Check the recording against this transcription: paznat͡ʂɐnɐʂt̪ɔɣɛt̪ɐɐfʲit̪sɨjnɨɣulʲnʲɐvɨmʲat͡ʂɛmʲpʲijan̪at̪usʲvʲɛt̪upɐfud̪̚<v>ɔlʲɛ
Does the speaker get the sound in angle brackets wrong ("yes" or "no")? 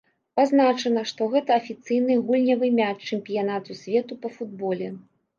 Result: yes